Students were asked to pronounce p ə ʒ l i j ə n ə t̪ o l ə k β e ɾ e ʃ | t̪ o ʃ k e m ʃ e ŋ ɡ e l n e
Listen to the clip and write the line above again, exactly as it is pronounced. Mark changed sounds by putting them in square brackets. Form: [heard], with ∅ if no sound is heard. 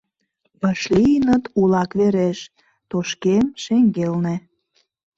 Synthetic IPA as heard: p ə [ʃ] l i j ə n ə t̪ [u] l [ɑ] k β e ɾ e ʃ | t̪ o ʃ k e m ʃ e ŋ ɡ e l n e